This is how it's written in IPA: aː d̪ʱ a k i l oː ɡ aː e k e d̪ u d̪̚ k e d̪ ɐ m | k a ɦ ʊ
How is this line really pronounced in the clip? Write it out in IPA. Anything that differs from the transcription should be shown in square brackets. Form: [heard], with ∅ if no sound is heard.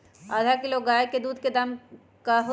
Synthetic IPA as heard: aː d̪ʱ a k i l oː ɡ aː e k e d̪ [uː] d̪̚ k e d̪ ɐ m | k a ɦ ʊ